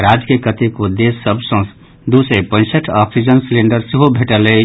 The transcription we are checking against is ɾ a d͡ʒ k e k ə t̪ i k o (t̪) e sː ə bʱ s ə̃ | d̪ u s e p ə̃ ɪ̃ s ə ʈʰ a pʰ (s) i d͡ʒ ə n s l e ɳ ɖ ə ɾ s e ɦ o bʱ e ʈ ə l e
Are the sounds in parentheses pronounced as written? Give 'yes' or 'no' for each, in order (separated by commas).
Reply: no, yes